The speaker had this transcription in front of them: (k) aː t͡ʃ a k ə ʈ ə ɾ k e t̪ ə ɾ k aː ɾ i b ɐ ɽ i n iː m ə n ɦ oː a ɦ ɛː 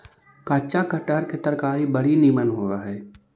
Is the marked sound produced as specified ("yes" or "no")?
yes